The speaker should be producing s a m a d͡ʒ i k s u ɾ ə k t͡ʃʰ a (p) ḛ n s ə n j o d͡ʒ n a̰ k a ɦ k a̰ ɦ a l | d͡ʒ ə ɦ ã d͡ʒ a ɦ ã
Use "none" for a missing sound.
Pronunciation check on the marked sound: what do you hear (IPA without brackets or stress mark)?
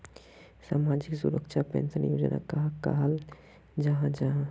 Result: p